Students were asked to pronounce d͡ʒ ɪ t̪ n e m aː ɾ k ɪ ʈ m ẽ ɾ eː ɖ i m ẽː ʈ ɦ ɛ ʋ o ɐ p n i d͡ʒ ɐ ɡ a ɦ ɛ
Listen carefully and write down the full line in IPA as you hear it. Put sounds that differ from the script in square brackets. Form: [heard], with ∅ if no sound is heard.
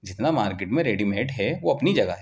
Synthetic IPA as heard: d͡ʒ ɪ t̪ n [a] m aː ɾ k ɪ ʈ m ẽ ɾ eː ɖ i m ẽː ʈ ɦ ɛ ʋ o ɐ p n i d͡ʒ ɐ ɡ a ɦ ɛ